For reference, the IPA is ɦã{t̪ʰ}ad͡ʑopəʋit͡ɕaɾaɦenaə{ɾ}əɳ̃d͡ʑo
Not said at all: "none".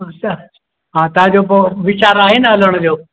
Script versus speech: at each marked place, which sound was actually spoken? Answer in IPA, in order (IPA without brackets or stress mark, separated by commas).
t̪, l